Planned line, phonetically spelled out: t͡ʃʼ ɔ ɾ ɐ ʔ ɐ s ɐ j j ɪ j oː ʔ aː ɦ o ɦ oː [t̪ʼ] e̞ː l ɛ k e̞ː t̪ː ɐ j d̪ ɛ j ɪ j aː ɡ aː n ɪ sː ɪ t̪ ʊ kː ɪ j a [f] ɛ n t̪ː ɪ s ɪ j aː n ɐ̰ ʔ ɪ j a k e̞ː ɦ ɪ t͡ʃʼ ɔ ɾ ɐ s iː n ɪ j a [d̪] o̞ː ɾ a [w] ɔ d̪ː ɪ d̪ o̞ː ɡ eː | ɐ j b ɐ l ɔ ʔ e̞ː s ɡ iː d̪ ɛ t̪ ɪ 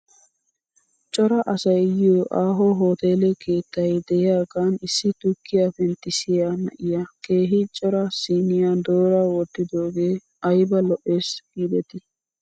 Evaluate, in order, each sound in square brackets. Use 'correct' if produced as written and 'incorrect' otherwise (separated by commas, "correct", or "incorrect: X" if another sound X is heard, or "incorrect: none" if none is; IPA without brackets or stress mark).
incorrect: t̪, correct, correct, correct